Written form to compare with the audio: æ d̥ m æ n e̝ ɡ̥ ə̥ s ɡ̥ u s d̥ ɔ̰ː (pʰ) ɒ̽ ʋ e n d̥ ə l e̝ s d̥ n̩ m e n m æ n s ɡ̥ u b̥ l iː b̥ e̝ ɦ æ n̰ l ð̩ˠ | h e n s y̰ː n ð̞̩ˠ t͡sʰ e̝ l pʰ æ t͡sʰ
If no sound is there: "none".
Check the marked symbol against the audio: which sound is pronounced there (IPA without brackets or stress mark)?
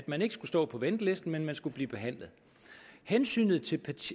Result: pʰ